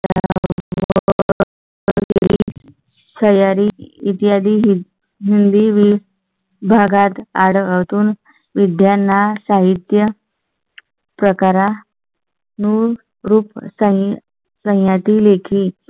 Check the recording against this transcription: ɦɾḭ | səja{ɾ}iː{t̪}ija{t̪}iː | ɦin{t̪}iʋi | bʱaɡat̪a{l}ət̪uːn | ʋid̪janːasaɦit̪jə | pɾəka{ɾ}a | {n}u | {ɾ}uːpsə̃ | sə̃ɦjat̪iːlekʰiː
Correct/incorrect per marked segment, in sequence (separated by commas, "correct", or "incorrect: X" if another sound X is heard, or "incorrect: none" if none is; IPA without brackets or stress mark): correct, correct, incorrect: d̪, incorrect: d̪, incorrect: ɽ, correct, correct, correct